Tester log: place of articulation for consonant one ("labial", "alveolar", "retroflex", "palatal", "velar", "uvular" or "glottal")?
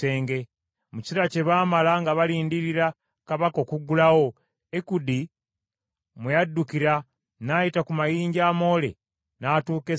velar